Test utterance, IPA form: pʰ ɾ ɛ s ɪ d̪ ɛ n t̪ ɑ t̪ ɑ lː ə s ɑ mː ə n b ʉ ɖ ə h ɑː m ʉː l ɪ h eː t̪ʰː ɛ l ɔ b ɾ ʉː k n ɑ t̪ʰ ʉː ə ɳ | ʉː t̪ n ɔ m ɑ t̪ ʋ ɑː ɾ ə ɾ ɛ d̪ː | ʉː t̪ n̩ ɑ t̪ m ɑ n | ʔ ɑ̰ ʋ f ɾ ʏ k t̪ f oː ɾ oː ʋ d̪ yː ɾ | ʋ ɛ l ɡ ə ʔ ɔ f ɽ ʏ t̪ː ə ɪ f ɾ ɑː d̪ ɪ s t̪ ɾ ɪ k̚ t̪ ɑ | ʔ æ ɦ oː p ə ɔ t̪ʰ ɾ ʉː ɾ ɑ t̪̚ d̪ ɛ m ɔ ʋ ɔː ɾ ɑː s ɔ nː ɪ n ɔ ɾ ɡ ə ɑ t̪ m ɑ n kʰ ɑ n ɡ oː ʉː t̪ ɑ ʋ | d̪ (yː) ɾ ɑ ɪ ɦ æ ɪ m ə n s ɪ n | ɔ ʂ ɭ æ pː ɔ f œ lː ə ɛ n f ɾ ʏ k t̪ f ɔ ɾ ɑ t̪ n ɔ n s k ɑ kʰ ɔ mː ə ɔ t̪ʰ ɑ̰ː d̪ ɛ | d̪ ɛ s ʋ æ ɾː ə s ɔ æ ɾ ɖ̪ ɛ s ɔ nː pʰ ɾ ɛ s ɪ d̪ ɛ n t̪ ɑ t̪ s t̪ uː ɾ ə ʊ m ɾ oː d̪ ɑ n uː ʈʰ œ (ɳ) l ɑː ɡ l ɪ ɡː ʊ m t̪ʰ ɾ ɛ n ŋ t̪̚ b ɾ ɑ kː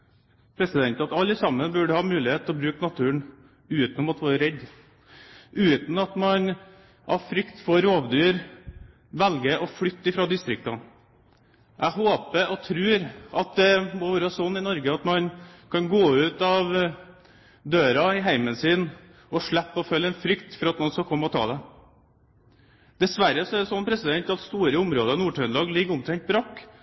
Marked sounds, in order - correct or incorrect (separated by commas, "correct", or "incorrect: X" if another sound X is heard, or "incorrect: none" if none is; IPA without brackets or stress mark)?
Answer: incorrect: øː, incorrect: n